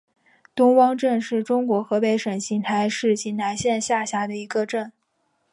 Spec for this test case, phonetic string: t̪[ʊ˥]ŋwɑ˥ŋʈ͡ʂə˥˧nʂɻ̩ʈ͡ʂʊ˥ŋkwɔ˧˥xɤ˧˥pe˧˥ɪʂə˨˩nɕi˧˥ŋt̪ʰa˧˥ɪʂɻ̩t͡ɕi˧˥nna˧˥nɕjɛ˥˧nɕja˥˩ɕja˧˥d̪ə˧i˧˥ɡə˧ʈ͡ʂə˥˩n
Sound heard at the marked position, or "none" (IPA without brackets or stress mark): ʊ˥